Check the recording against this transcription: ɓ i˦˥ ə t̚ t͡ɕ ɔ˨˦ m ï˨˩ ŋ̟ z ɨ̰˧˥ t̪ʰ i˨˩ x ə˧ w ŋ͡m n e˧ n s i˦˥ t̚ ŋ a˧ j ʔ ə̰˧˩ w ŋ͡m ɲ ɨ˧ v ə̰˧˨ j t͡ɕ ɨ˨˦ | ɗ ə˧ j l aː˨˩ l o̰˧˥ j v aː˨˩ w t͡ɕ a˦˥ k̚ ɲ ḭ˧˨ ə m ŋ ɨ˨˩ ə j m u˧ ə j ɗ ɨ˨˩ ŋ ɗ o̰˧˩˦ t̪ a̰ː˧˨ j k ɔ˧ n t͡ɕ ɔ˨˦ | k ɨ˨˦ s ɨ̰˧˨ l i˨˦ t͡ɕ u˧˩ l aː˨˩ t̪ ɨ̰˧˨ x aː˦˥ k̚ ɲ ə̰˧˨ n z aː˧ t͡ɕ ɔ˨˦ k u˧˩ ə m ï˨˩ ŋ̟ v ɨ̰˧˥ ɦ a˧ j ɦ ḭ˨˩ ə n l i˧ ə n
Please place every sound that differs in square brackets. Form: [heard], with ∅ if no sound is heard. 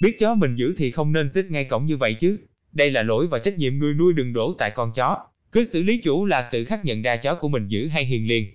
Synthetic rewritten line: ɓ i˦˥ ə t̚ t͡ɕ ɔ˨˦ m ï˨˩ ŋ̟ z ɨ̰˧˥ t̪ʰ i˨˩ x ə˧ w ŋ͡m n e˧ n s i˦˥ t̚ ŋ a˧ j [k] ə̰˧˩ w ŋ͡m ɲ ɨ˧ v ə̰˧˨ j t͡ɕ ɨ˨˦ | ɗ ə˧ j l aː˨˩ l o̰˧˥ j v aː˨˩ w t͡ɕ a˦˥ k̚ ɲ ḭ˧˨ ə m ŋ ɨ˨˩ ə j [n] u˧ ə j ɗ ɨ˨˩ ŋ ɗ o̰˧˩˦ t̪ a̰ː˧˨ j k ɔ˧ n t͡ɕ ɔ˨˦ | k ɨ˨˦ s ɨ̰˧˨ l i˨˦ t͡ɕ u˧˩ l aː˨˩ t̪ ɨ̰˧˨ x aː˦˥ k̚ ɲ ə̰˧˨ n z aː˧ t͡ɕ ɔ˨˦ k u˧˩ ə m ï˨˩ ŋ̟ [z] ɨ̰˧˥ ɦ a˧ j ɦ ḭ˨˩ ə n l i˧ ə n